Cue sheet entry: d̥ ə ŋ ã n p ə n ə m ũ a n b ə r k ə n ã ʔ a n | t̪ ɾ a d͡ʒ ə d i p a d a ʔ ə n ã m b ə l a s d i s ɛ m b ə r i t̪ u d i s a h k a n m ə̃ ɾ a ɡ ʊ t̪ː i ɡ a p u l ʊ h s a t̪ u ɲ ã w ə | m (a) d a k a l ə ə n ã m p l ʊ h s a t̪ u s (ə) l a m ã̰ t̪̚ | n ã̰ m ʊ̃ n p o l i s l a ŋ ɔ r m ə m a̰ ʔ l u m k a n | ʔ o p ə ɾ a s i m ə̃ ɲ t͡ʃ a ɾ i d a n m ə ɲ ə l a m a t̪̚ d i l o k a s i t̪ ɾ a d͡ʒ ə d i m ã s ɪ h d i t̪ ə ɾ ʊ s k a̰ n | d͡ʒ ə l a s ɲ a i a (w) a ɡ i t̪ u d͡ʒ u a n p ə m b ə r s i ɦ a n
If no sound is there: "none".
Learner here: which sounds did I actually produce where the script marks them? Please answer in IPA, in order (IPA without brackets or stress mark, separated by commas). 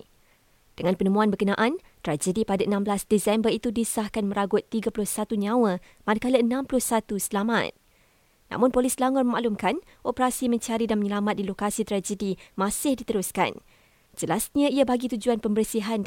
a, ə, b